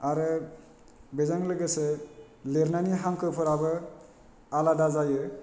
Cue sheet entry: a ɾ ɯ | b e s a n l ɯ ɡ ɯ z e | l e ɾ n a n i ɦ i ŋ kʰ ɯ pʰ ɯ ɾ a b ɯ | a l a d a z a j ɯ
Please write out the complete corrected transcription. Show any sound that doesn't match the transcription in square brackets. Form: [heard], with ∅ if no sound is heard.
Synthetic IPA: a ɾ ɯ | b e [z] a [ŋ] l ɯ ɡ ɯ [s] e | l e ɾ n a n i ɦ [a] ŋ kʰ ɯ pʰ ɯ ɾ a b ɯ | a l a d a z a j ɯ